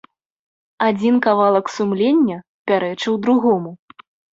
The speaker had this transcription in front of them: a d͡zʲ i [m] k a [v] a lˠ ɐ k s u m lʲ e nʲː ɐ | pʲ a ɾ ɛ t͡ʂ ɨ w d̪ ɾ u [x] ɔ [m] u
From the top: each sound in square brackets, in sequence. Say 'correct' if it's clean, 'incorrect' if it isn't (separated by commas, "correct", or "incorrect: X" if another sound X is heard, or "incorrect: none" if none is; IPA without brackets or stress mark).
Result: incorrect: n, correct, incorrect: ɣ, correct